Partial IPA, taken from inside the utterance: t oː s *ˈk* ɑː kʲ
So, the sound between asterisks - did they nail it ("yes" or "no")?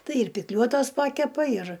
no